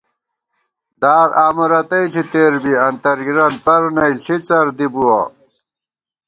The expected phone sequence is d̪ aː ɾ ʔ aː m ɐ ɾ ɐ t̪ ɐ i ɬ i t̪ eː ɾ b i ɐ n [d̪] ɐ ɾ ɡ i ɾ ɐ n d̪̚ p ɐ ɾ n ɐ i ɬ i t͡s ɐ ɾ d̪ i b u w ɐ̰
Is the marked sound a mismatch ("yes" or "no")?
yes